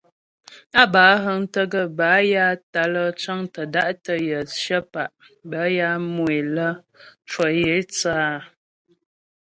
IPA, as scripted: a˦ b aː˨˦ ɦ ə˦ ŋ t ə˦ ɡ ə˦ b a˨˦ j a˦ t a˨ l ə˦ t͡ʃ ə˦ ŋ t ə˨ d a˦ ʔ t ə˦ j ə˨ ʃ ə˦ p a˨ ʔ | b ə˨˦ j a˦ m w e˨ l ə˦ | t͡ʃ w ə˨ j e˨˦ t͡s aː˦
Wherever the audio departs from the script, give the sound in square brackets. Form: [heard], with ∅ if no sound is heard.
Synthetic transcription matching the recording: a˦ b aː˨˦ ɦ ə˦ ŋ t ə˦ ɡ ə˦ b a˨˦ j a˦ t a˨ l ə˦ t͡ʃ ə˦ ŋ t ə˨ d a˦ ʔ t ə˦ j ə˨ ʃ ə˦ p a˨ ʔ | b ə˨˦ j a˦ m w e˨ l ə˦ | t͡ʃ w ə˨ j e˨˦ t͡s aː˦